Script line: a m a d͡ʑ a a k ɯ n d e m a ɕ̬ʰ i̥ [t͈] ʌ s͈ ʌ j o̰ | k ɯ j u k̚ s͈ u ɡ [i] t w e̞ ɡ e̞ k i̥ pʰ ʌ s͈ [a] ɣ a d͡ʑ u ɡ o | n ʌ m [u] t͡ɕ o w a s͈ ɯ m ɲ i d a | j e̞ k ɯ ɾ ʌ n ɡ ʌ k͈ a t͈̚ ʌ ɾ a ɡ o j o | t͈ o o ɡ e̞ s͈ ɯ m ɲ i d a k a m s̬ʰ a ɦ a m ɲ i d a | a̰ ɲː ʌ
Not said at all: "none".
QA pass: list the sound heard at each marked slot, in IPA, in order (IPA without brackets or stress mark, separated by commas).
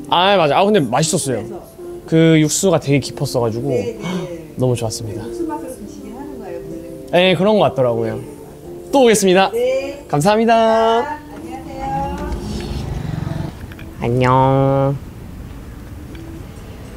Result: s͈, a, ʌ, u